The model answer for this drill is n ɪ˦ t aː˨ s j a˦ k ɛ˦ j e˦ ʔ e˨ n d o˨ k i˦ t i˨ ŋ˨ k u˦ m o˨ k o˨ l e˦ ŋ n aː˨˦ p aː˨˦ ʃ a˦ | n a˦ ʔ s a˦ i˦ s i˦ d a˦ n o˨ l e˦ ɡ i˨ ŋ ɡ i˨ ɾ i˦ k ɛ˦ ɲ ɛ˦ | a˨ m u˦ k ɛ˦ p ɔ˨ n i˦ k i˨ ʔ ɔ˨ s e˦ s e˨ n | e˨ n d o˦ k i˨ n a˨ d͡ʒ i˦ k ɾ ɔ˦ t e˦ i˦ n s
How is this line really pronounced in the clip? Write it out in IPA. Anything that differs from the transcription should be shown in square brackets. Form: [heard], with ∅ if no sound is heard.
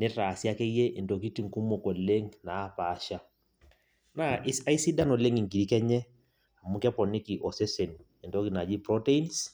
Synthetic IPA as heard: n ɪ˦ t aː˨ s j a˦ k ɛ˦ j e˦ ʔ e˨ n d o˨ k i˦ t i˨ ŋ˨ k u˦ m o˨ k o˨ l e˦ ŋ n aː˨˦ p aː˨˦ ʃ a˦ | n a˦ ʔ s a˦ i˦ s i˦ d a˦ n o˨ l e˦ [ŋ] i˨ ŋ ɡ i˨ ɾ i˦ k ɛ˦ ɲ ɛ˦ | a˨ m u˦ k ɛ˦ p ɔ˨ n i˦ k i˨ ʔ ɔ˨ s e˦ s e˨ n | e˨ n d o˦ k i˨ n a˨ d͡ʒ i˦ [p] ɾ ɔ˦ t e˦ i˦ n s

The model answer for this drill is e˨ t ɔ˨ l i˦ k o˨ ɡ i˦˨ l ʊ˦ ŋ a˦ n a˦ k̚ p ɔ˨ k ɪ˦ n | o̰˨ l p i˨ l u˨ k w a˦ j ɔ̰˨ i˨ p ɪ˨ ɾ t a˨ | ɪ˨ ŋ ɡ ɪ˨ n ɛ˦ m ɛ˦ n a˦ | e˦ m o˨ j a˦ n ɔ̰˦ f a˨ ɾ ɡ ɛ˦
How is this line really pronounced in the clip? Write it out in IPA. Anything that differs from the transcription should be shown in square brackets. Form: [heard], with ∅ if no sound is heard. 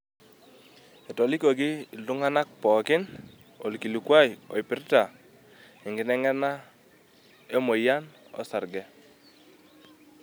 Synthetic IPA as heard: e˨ t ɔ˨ l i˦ k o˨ ɡ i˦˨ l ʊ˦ ŋ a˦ n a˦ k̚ p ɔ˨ k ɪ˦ n | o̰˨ l [k] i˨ l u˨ k w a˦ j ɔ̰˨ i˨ p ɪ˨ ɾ t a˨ | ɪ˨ ŋ ɡ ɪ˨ n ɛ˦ [ŋ] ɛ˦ n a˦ | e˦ m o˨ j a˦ n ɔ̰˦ [s] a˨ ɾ ɡ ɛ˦

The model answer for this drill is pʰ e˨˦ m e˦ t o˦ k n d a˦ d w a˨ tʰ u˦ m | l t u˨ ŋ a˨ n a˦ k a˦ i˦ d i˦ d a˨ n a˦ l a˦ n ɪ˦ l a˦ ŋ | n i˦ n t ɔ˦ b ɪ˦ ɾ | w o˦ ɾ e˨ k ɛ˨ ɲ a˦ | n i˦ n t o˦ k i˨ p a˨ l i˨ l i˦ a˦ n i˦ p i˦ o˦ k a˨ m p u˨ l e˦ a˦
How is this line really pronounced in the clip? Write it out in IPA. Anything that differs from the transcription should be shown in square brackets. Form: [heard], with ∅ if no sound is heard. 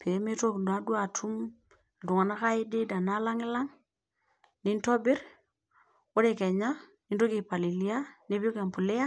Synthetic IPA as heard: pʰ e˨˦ m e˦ t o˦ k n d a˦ d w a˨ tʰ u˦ m | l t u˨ ŋ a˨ n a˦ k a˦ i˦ d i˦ d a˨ n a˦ l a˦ [ŋ] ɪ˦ l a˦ ŋ | n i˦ n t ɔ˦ b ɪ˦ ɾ | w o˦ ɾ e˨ k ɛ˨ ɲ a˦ | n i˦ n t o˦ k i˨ p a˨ l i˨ l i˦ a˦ n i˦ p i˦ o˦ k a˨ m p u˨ l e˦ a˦

